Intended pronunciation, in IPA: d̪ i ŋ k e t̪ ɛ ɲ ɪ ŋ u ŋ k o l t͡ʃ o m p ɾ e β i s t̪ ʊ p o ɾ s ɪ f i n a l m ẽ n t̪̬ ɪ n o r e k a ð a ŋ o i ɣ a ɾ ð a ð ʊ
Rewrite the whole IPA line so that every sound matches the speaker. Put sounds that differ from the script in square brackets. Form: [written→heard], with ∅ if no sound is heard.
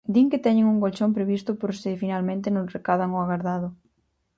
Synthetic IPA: d̪ i ŋ k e t̪ ɛ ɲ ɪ ŋ u ŋ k o l t͡ʃ o m p ɾ e β i s t̪ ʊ p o ɾ s ɪ f i n a l m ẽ n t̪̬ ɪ n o r e k a ð a ŋ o [i→a] ɣ a ɾ ð a ð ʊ